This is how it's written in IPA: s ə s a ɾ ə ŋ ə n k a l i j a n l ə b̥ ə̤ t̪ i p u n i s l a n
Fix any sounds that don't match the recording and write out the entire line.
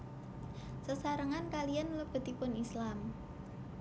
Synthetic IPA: s ə s a ɾ ə ŋ a n k a l i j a n l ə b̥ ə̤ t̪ i p ʊ n i s l a m